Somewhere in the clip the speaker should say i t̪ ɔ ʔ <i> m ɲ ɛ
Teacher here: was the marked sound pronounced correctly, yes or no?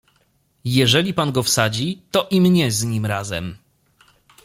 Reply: yes